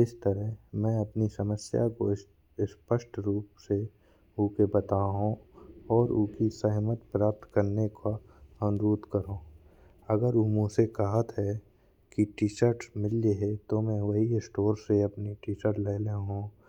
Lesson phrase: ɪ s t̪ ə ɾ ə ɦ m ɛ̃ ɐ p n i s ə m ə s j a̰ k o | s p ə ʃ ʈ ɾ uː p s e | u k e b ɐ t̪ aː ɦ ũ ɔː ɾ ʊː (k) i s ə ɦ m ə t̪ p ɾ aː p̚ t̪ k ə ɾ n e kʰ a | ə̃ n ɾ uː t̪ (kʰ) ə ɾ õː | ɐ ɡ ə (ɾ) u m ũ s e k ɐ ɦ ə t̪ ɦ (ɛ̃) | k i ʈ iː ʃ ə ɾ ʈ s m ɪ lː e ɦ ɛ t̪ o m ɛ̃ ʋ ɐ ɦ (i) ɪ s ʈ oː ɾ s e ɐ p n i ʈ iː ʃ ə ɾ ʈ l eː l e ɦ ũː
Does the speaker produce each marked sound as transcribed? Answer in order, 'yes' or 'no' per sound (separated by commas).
yes, no, yes, no, yes